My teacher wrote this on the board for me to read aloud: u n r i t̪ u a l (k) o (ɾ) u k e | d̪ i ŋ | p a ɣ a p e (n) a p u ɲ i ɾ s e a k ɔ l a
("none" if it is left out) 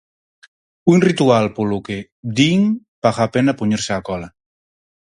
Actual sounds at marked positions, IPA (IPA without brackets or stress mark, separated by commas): p, l, n